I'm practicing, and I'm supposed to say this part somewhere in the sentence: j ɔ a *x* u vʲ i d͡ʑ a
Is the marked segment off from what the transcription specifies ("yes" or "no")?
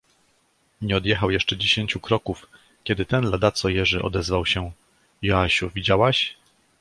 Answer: yes